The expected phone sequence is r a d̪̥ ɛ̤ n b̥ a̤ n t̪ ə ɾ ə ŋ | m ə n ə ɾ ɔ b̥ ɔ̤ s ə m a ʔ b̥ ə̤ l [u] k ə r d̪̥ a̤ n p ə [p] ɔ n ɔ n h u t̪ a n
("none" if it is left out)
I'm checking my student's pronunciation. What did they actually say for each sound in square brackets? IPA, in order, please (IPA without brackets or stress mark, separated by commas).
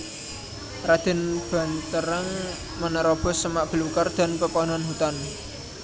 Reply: u, p